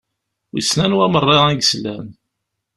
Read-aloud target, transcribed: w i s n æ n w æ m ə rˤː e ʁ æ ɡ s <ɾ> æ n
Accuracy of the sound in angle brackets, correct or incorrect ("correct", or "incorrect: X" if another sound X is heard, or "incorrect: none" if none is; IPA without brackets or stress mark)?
incorrect: l